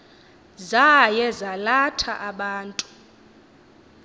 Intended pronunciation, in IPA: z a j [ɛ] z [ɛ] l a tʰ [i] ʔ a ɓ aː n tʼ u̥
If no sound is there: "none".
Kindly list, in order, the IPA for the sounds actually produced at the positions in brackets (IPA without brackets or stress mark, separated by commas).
ɛ, a, a